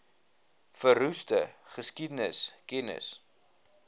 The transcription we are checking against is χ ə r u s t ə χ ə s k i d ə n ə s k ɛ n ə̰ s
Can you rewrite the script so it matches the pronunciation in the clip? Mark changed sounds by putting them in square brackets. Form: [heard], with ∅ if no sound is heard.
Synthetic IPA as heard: [f] ə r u s t ə χ ə s k i d ə n ə s k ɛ n ə̰ s